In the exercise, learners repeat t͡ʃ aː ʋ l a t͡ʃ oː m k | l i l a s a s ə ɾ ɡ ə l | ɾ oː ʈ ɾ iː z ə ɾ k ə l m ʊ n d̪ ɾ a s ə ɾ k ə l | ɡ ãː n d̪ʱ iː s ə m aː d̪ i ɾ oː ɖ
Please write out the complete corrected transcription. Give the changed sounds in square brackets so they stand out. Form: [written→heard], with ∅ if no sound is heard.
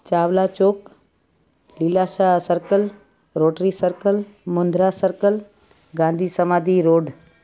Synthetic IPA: t͡ʃ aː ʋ l a t͡ʃ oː [m→∅] k | l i l a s a s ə ɾ [ɡ→k] ə l | ɾ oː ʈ ɾ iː [z→s] ə ɾ k ə l m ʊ n d̪ ɾ a s ə ɾ k ə l | ɡ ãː n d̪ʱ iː s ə m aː d̪ i ɾ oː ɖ